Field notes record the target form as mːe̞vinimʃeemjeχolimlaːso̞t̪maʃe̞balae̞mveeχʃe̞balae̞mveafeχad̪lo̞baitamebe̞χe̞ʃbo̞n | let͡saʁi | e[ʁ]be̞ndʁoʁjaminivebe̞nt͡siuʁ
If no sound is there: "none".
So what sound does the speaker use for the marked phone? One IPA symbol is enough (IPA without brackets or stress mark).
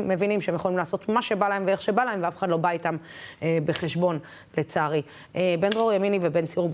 none